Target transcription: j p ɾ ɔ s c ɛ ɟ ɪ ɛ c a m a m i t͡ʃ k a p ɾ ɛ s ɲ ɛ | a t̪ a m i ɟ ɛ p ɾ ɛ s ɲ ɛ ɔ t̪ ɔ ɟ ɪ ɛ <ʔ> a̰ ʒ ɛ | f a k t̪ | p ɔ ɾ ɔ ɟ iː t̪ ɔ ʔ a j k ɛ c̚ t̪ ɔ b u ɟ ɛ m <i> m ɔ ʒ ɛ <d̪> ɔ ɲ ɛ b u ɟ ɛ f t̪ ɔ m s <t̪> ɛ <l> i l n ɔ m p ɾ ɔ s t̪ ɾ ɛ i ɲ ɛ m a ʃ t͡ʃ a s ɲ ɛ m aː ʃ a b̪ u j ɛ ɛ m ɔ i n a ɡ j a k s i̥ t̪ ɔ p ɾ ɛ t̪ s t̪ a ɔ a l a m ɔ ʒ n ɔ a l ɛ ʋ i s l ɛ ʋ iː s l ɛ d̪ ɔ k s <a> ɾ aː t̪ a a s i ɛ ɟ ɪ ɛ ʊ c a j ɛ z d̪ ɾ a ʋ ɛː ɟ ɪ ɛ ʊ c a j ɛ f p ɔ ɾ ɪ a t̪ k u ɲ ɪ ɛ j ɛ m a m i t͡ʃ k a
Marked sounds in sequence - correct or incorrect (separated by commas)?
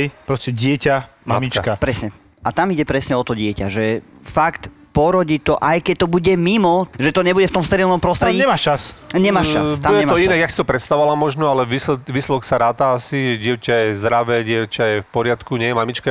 incorrect, correct, incorrect, correct, incorrect, correct